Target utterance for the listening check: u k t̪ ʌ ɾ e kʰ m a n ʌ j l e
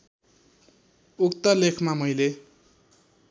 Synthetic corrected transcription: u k t̪ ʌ l e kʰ m a m ʌ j l e